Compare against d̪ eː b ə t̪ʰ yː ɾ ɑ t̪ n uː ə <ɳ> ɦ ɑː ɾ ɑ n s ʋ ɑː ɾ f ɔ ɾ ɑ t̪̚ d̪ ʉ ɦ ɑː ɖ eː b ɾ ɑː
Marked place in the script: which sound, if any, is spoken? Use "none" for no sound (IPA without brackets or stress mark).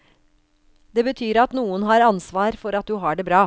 n